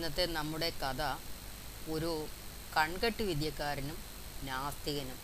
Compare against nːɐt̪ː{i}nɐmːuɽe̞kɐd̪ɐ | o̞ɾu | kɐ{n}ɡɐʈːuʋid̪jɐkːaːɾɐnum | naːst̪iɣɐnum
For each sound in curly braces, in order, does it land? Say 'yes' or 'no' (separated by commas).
no, no